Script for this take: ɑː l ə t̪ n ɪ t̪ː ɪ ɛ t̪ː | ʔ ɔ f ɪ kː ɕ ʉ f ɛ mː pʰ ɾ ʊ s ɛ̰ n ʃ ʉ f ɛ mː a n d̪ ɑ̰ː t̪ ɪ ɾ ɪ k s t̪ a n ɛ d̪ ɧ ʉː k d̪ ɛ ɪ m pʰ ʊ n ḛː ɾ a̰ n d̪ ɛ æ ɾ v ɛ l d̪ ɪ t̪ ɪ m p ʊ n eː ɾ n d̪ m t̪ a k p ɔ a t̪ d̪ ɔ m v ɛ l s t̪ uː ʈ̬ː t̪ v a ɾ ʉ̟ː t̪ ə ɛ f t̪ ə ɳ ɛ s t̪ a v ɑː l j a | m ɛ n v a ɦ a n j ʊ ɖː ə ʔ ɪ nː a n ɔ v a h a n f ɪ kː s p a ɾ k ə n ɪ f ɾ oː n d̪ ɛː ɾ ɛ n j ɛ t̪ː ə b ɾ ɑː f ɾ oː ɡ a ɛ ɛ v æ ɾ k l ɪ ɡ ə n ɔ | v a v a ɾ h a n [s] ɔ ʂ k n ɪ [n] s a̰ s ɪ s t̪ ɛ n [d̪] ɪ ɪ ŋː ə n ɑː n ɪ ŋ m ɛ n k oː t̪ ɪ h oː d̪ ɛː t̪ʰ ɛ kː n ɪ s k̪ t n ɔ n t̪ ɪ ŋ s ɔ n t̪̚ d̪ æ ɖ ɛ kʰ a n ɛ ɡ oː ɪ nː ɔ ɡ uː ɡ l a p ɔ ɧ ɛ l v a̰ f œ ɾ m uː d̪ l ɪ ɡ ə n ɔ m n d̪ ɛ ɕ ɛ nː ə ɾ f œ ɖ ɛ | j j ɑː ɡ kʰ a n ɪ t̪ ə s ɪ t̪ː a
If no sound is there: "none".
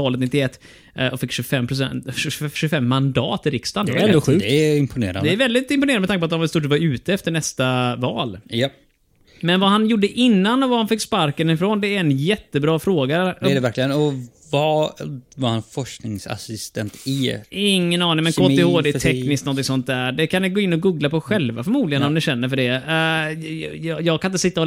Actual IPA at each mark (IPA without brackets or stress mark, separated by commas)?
f, ŋ, t̪